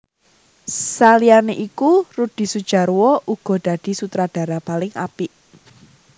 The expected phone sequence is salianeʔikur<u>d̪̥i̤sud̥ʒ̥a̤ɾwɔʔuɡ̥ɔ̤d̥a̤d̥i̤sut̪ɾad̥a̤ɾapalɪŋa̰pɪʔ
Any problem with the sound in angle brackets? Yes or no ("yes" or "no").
no